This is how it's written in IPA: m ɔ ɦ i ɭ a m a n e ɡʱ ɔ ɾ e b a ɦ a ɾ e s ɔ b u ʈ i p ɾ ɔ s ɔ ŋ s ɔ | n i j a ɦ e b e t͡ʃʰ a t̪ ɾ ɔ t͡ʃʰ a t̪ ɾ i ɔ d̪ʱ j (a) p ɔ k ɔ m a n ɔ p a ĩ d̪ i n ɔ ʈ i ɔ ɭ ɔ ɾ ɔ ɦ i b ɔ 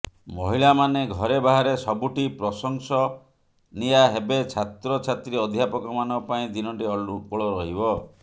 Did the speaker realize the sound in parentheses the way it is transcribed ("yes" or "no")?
yes